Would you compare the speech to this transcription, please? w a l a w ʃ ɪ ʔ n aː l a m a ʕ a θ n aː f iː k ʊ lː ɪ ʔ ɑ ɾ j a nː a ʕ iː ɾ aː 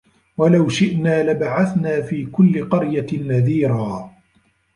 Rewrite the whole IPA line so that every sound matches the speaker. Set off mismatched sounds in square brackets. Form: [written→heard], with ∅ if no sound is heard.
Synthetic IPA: w a l a w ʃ ɪ ʔ n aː l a [m→b] a ʕ a θ n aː f iː k ʊ lː ɪ [ʔ→q] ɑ ɾ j a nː a [ʕ→ð] iː ɾ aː